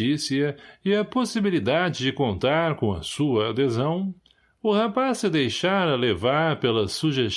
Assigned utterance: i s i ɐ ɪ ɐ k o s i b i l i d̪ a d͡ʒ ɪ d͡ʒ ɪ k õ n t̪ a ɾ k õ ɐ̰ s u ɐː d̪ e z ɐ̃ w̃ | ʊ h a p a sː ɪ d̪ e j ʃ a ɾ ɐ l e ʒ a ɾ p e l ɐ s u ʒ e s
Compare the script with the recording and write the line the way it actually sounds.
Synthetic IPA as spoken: i s i ɐ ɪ ɐ p o s i b i l i d̪ a d͡ʒ ɪ d͡ʒ ɪ k õ n t̪ a ɾ k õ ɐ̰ s u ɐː d̪ e z ɐ̃ w̃ | ʊ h a p a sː ɪ d̪ e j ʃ a ɾ ɐ l e v a ɾ p e l ɐ s u ʒ e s